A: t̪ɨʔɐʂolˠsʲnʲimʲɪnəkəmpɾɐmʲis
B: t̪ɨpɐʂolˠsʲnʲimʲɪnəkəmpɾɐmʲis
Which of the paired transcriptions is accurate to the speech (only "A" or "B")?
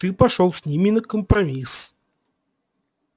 B